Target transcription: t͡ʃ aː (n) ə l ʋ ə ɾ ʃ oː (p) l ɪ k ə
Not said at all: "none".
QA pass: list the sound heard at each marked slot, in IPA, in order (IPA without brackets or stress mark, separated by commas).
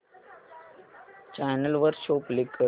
n, p